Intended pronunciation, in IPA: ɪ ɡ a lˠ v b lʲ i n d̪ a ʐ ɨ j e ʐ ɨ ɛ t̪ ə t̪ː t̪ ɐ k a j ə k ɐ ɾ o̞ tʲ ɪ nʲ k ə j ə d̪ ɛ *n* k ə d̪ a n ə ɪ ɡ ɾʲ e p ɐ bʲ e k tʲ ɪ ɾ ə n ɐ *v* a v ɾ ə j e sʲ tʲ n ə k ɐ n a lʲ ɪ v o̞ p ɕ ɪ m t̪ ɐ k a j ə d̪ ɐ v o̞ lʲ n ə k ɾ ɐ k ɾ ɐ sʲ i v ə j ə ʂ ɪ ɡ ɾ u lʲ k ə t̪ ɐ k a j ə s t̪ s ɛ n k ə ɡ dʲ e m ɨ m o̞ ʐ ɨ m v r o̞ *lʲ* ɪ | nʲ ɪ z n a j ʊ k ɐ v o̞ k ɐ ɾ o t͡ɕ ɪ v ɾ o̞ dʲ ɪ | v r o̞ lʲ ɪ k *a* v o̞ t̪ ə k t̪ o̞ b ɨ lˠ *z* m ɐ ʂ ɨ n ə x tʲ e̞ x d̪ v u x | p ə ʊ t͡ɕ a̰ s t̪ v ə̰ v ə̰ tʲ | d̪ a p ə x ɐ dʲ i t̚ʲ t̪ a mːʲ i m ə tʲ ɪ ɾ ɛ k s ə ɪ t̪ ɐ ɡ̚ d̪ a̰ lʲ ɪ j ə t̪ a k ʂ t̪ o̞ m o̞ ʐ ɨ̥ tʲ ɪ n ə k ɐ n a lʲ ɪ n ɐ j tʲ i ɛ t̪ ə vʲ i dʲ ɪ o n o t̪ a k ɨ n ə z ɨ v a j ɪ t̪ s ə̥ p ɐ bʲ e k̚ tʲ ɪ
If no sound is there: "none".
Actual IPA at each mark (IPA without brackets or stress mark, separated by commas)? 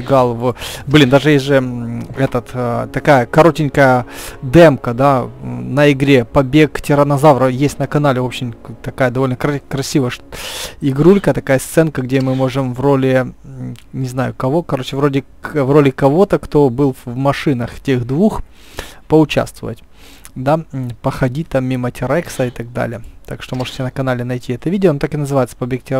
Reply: m, z, lʲ, ɐ, v